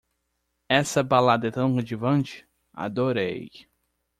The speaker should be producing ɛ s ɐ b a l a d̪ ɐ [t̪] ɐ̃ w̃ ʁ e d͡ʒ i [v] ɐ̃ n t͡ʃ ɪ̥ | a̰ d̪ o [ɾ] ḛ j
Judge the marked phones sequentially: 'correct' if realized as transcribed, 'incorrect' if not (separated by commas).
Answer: correct, correct, correct